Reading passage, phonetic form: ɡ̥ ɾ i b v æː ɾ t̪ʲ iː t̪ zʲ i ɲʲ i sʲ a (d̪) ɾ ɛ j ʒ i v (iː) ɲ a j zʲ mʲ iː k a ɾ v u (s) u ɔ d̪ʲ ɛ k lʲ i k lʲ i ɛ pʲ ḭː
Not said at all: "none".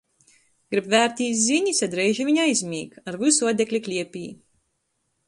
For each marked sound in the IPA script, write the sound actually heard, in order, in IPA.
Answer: d̪, i, s

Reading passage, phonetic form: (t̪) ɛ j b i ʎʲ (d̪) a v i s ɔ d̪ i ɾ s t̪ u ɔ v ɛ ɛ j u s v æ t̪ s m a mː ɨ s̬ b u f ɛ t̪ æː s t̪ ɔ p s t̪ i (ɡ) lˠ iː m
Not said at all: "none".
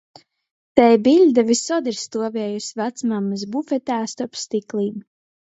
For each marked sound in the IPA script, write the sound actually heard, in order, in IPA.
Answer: t̪, d̪, k

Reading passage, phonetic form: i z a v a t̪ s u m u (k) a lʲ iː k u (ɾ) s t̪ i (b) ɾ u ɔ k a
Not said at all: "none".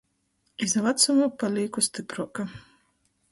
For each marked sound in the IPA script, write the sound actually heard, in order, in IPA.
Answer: p, none, p

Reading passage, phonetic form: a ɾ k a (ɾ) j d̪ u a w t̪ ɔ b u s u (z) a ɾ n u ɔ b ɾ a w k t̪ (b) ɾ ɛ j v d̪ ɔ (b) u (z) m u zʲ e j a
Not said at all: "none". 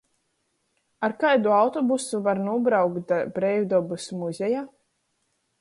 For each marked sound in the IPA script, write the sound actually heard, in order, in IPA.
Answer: none, v, b, b, s

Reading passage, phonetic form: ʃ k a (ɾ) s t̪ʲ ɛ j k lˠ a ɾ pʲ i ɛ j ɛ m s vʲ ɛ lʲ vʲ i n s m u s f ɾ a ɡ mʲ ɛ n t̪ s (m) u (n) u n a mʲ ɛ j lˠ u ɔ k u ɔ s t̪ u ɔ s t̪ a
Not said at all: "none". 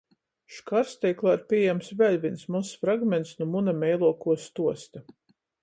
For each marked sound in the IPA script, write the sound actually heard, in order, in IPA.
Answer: ɾ, n, m

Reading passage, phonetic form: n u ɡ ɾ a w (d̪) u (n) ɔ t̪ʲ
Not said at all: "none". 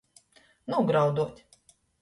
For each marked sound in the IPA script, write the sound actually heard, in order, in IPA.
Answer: d̪, none

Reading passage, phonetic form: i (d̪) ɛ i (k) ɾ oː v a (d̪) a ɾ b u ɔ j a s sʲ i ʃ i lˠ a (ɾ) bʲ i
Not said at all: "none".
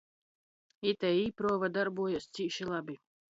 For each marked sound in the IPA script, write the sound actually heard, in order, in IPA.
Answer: t̪, p, d̪, none

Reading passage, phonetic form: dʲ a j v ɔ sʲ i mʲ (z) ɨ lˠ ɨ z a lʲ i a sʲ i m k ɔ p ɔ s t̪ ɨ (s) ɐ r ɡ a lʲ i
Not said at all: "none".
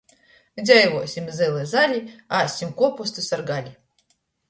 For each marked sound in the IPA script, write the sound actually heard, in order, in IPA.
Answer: z, s

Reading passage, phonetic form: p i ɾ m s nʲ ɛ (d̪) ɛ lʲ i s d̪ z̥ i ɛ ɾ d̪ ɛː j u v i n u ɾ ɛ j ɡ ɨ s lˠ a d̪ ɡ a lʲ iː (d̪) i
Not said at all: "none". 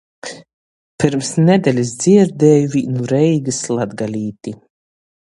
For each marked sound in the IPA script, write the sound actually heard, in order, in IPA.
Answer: d̪, t̪

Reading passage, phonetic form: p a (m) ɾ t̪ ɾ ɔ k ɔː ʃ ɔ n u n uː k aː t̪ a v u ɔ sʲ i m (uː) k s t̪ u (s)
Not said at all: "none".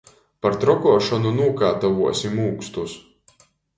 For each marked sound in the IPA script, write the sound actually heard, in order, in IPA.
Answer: none, uː, s

